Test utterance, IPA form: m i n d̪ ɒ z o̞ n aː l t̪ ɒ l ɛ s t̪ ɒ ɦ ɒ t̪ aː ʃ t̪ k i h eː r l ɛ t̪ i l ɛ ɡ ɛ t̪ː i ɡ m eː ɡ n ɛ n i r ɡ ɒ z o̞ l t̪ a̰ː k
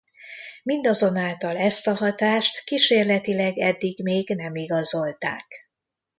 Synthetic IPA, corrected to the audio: m i n d̪ ɒ z o̞ n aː l t̪ ɒ l ɛ s t̪ ɒ ɦ ɒ t̪ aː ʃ t̪ k i ʃ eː r l ɛ t̪ i l ɛ ɡ ɛ d̪ː i ɡ m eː ɡ n ɛ m i ɡ ɒ z o̞ l t̪ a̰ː k